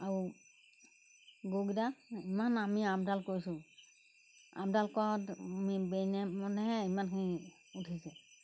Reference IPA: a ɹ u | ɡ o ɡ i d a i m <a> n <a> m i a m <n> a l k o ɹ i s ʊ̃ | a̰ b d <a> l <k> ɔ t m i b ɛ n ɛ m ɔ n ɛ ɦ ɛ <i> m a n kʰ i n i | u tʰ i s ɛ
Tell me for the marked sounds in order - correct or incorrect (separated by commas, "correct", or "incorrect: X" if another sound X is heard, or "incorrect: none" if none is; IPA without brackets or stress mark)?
correct, correct, incorrect: d, correct, correct, correct